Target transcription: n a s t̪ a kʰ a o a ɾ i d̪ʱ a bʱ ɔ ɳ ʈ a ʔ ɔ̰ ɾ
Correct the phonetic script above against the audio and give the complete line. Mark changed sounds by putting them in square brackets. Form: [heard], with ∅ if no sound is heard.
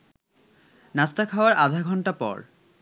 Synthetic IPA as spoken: n a s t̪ a kʰ a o a ɾ [a] d̪ʱ a [ɡʱ] ɔ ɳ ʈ a [p] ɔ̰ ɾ